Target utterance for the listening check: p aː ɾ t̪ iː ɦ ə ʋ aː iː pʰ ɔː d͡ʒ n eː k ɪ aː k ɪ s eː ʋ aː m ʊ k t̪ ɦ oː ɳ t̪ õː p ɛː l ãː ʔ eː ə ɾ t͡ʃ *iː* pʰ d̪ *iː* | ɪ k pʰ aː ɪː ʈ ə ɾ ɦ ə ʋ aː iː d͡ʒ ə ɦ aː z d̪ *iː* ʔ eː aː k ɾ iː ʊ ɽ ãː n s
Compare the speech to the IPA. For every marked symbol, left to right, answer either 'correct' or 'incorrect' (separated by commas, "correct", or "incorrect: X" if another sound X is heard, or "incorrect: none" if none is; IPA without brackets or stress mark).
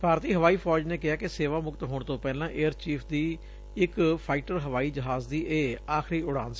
correct, correct, correct